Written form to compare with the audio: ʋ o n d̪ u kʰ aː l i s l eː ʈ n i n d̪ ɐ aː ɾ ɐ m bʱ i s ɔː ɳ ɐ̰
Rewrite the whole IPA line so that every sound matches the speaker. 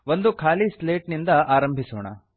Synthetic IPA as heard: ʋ o n d̪ u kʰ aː l i s l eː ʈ n i n d̪ ɐ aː ɾ ɐ m bʱ i s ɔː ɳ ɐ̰